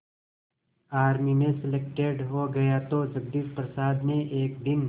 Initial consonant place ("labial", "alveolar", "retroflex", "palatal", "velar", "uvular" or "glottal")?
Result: alveolar